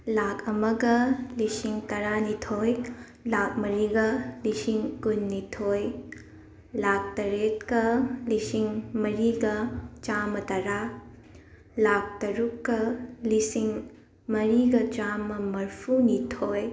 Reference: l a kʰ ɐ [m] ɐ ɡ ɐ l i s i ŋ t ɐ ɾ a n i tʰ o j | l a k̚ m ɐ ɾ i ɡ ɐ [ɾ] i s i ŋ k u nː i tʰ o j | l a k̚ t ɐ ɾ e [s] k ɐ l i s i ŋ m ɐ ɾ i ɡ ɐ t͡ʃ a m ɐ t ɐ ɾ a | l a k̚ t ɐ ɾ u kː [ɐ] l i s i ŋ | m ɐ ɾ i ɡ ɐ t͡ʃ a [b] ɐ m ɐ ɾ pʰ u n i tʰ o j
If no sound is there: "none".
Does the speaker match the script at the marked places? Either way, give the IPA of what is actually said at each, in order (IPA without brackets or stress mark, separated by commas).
m, l, t, ɐ, m